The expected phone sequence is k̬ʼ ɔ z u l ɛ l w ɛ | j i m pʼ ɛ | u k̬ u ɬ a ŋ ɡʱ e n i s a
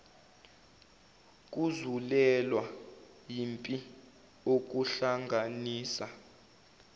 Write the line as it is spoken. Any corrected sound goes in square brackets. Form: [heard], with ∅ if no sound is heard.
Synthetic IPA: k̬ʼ [u] z u l ɛ l w [a] | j i m pʼ [i] | [o] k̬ u ɬ a ŋ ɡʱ [a] n [iː] s a

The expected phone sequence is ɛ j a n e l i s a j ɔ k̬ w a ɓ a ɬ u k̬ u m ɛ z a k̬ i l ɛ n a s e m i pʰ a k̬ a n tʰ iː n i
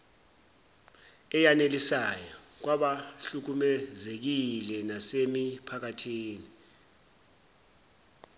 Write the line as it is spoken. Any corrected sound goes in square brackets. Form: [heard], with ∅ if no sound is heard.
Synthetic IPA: ɛ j a n e l i s a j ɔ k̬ w a ɓ a ɬ u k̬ u m ɛ z [e] k̬ i l ɛ n a s e m i pʰ a k̬ a [∅] tʰ iː n i

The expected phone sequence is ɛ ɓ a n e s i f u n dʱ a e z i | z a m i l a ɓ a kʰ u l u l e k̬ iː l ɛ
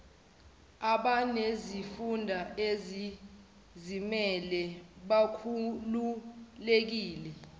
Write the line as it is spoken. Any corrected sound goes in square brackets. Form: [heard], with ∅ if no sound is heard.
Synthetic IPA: [a] ɓ a n e [z] i f u n dʱ a e z i | z [i] m [ɛ] l [ɛ] ɓ a kʰ u l u l e k̬ iː l ɛ

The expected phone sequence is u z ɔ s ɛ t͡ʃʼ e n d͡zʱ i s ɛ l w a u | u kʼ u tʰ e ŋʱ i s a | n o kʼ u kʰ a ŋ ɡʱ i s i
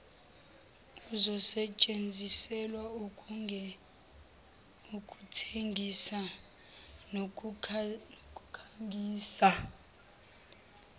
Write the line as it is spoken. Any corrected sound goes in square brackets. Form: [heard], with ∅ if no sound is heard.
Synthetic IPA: u z ɔ s ɛ t͡ʃʼ e n d͡zʱ i s ɛ l w a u | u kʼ u tʰ e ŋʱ i s a | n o kʼ u kʰ a ŋ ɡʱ [iː] s [a]

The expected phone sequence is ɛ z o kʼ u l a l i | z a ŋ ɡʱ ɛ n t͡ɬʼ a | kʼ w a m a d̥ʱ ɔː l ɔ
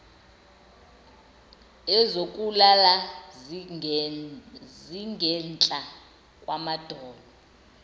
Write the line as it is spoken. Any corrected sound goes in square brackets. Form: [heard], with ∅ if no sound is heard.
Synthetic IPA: ɛ z o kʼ u l a l [a] | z [i] ŋ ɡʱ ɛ n t͡ɬʼ a | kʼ w a m a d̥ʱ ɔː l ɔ

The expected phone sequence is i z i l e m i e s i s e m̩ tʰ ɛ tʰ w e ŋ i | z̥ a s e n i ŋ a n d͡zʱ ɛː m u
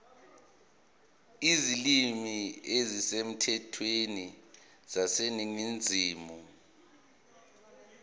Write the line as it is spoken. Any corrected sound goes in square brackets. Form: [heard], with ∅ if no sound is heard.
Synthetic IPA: i z i l [i] m i e [z] i s e m̩ tʰ ɛ tʰ w e [n] i | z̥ a s e n i ŋ [i] n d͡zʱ [iː] m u

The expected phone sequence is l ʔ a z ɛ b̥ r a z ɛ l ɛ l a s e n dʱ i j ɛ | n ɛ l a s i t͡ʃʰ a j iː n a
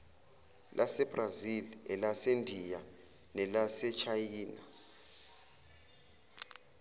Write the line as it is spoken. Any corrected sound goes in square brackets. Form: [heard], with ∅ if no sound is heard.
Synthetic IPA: l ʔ a [s] ɛ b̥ r a z [i] l ɛ l a s e n dʱ i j [a] | n ɛ l a s [ɛ] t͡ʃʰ a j iː n a

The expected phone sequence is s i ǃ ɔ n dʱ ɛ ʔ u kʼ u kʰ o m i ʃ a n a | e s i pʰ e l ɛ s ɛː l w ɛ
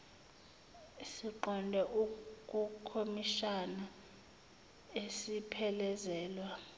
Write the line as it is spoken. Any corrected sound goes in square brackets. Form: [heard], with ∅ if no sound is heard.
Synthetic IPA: s i ǃ ɔ n dʱ ɛ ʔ u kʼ u kʰ o m i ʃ a n a | e s i pʰ [ɛ] l ɛ [z] ɛː l w [a]

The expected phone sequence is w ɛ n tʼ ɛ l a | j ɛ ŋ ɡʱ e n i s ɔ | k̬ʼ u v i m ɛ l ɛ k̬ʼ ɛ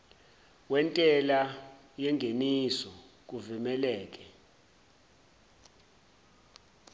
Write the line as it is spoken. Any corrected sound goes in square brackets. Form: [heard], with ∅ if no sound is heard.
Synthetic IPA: w ɛ n tʼ ɛ l a | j ɛ ŋ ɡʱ e n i s ɔ | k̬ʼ u v i m ɛ l [ɛː] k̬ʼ ɛ

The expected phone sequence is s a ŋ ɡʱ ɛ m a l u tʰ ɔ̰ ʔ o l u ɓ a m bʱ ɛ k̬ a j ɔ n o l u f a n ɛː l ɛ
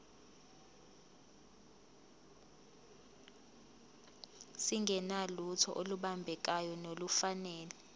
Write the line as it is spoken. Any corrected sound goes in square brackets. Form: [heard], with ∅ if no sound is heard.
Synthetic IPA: s [i] ŋ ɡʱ ɛ [n] a l u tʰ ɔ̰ ʔ o l u ɓ a m bʱ ɛ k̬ a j ɔ n o l u f a n ɛː l ɛ

